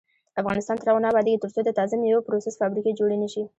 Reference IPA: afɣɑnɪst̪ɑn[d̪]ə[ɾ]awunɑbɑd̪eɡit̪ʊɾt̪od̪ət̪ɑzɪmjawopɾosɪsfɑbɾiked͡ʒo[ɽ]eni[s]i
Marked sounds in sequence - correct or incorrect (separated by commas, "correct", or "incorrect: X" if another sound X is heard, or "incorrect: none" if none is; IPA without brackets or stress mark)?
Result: incorrect: t̪, correct, correct, incorrect: ʃ